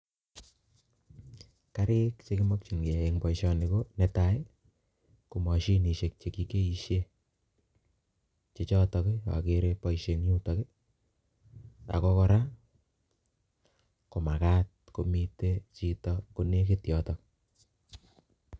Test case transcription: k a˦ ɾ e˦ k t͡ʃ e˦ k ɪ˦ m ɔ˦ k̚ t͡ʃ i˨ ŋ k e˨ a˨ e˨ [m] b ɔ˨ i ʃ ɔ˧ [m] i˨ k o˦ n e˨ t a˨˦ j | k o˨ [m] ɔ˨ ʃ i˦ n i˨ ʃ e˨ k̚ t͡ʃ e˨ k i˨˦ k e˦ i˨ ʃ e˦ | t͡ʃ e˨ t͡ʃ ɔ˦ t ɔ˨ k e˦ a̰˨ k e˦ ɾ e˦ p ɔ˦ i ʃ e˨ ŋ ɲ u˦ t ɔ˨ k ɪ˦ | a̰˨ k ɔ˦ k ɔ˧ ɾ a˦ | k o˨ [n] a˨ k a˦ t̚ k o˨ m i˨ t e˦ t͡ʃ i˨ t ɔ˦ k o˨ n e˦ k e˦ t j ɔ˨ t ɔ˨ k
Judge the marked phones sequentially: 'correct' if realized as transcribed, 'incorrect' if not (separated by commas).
incorrect, incorrect, correct, incorrect